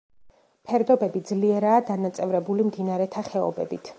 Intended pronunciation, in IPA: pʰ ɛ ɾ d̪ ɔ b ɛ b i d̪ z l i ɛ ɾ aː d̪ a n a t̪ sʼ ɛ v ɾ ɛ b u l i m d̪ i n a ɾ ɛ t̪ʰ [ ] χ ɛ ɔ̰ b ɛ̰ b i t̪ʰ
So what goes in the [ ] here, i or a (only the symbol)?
a